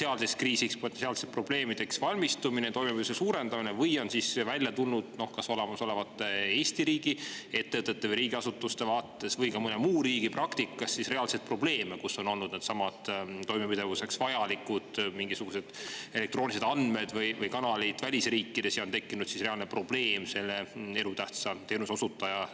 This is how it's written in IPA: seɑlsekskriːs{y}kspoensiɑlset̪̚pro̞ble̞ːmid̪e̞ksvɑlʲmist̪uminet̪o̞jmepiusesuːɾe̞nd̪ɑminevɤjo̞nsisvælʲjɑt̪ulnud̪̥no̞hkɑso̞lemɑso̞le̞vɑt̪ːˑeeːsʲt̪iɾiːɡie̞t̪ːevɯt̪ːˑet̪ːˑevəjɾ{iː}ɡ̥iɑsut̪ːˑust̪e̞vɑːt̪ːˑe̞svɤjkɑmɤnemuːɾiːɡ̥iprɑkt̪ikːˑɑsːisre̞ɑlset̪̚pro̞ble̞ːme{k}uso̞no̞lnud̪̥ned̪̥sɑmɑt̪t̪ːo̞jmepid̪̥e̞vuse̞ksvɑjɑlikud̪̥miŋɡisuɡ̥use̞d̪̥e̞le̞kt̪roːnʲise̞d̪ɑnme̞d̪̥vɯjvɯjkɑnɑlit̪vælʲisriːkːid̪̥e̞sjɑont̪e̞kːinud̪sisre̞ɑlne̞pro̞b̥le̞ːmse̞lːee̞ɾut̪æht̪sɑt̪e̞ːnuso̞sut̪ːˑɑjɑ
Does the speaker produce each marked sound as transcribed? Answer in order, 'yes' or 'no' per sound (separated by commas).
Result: no, yes, yes